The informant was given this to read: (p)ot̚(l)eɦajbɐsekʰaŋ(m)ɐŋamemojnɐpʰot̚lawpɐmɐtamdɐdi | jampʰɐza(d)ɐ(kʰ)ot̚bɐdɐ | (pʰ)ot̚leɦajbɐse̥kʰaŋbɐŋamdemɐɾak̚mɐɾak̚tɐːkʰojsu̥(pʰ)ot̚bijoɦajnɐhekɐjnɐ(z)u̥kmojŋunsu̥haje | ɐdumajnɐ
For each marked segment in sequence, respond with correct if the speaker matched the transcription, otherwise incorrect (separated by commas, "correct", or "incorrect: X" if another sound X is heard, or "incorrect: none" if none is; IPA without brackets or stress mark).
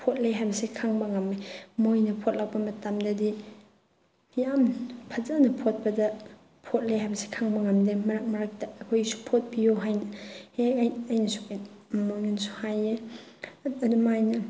incorrect: pʰ, correct, incorrect: b, incorrect: n, incorrect: pʰ, correct, correct, incorrect: s